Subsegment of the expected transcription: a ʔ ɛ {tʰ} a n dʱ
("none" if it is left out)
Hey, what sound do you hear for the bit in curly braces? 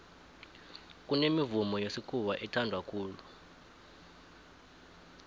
tʰ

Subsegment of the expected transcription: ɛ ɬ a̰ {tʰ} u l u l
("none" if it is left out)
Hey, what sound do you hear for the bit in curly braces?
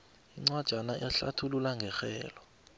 tʰ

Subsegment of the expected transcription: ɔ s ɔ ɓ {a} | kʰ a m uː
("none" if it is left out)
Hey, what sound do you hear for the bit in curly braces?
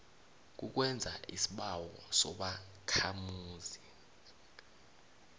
a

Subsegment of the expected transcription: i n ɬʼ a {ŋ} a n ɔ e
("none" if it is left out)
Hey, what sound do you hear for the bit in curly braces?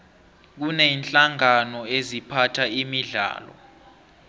ŋ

